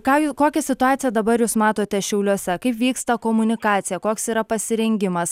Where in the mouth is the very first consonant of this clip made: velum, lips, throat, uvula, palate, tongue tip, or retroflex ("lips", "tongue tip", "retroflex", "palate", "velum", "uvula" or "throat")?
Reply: velum